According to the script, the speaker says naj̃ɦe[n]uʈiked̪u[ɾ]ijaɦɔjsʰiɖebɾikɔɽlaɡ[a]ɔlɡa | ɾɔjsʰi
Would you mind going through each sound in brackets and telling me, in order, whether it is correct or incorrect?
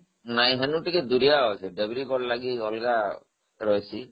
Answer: correct, correct, incorrect: i

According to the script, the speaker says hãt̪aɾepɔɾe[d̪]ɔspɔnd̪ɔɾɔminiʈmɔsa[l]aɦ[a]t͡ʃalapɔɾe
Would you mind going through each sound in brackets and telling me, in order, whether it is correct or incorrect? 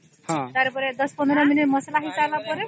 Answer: correct, correct, incorrect: i

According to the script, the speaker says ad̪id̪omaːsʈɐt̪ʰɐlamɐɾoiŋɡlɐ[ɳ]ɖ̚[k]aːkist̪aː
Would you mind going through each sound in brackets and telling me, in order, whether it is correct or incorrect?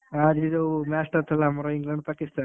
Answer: correct, incorrect: p

